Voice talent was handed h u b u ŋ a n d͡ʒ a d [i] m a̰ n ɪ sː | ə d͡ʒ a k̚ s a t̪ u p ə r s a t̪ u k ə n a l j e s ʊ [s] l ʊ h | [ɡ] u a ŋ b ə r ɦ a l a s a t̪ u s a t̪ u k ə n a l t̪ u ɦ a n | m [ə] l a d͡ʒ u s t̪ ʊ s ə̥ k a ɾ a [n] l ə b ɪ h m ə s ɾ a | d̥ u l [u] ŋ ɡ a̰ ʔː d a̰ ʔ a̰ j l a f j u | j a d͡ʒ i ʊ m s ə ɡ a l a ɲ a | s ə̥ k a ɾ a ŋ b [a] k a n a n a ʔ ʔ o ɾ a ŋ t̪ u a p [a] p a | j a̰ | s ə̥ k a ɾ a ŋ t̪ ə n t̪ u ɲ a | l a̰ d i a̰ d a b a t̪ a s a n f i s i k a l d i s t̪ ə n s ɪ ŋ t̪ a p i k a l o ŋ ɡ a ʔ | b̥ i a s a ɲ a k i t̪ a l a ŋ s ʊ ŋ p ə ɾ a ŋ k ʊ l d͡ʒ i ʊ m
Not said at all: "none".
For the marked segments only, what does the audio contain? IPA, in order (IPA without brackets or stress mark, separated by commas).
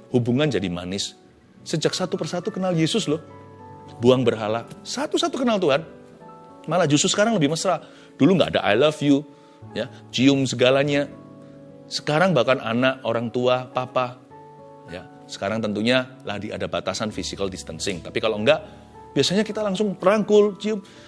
i, s, b, a, ŋ, u, a, a